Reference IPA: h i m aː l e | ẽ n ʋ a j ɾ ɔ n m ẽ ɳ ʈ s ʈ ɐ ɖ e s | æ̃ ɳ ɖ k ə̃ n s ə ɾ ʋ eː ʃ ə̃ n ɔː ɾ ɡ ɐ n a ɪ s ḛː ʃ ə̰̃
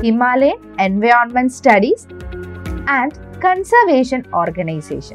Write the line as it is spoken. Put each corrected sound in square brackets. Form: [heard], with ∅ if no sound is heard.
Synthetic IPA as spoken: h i m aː l e | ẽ n ʋ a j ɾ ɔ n m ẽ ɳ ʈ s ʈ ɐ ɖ [i] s | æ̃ ɳ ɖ k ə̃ n s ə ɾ ʋ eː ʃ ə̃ n ɔː ɾ ɡ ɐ n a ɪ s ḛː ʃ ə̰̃